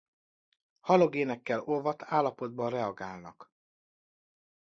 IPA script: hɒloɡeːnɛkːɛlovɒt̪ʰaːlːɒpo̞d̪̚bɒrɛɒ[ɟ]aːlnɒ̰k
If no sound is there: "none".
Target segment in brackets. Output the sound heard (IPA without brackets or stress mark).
ɡ